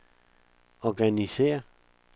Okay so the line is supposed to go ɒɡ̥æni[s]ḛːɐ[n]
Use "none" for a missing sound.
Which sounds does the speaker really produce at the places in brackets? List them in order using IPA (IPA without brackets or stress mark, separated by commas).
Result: s, none